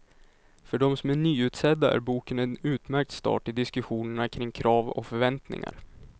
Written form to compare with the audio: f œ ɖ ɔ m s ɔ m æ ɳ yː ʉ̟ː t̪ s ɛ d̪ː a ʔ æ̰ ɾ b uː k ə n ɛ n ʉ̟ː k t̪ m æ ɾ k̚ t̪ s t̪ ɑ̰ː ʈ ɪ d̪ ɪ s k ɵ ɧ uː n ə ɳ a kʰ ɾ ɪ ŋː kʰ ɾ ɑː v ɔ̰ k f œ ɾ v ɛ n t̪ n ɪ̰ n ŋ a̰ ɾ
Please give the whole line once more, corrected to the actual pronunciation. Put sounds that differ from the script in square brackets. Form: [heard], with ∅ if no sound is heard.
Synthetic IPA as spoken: f œ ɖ ɔ m s ɔ m æ ɳ yː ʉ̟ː t̪ s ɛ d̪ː a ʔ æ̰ ɾ b uː k ə n ɛ n ʉ̟ː [∅] t̪ m æ ɾ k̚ t̪ s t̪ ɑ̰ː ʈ ɪ d̪ ɪ s k ɵ ɧ uː n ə ɳ a kʰ ɾ ɪ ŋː kʰ ɾ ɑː v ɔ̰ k f œ ɾ v ɛ n t̪ n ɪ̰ [∅] ŋ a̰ ɾ